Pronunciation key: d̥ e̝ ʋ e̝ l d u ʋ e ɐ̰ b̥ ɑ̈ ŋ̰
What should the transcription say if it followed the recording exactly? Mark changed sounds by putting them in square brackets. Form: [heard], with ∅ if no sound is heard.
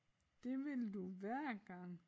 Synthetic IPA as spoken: d̥ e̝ ʋ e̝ l d u ʋ [æ] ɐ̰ [ɡ̥] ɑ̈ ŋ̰